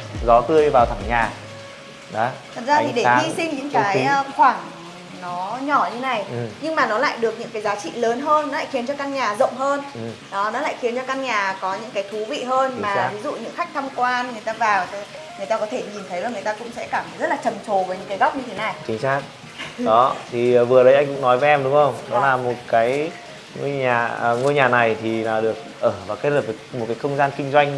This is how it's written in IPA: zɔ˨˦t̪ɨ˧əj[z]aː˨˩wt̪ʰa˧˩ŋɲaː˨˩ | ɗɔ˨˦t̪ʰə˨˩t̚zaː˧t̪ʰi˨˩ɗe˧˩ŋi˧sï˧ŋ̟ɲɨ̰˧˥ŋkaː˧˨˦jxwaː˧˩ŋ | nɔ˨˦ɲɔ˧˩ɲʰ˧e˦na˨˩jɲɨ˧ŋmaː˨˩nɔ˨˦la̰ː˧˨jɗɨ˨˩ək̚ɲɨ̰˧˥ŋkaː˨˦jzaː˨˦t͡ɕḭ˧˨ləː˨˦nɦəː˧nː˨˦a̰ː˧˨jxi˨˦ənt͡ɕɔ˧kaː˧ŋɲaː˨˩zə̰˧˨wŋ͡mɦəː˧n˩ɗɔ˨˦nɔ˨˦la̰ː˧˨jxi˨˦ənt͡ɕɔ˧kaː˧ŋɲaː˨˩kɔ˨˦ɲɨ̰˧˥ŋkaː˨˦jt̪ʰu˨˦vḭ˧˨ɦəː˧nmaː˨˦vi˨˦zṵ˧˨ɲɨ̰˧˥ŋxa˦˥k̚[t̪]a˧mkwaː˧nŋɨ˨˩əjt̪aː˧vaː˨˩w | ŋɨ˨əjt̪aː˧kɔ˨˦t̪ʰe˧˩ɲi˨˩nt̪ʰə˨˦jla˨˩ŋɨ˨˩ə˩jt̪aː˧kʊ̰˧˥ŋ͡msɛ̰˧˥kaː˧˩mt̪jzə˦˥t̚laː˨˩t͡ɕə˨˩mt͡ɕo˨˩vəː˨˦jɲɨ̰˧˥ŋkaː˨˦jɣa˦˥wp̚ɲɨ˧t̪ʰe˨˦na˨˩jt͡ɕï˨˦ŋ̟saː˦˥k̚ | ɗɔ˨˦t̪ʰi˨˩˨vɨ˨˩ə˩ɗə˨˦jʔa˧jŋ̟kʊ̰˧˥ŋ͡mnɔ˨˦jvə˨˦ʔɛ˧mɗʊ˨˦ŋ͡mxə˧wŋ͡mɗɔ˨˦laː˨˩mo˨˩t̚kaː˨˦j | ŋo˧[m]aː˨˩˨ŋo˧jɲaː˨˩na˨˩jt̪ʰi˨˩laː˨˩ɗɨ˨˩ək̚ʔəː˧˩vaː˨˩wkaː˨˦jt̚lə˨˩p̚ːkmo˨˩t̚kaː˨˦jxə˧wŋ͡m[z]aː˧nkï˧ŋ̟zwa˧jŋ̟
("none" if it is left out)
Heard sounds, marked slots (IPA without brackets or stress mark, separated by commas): v, t̪ʰ, ɲ, z